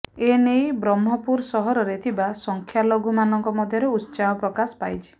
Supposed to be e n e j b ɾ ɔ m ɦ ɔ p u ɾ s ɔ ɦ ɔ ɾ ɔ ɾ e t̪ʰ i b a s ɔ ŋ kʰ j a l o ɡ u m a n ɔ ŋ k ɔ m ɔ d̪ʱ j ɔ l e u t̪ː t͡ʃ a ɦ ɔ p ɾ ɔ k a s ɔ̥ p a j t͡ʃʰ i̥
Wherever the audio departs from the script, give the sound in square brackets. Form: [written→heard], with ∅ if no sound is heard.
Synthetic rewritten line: e n e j b ɾ ɔ m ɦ ɔ p u ɾ s ɔ ɦ ɔ ɾ ɔ ɾ e t̪ʰ i b a s ɔ ŋ kʰ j a l o ɡ u m a n ɔ ŋ k ɔ m ɔ d̪ʱ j ɔ [l→ɾ] e u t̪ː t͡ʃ a ɦ ɔ p ɾ ɔ k a s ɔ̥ p a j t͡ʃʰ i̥